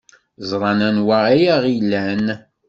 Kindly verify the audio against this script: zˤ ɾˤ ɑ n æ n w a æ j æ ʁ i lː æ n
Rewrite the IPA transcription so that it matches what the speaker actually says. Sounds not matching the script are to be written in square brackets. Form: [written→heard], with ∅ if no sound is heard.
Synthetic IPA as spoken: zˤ ɾˤ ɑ n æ n w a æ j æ ʁ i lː æ n